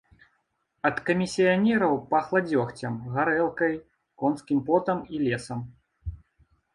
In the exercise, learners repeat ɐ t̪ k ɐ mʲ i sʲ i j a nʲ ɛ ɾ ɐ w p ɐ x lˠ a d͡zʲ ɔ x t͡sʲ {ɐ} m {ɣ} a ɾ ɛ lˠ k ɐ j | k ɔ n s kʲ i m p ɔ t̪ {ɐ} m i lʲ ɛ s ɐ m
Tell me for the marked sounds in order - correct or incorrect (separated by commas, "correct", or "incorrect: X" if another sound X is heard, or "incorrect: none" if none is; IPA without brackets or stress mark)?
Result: correct, correct, correct